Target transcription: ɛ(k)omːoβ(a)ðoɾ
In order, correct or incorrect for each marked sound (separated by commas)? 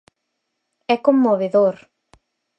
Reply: correct, incorrect